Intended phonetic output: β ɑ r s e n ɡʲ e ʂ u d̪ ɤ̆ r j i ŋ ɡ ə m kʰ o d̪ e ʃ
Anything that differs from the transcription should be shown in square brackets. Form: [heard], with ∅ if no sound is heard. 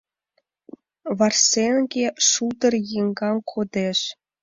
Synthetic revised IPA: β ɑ r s e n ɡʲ e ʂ u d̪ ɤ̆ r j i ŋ ɡ [ɑ] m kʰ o d̪ e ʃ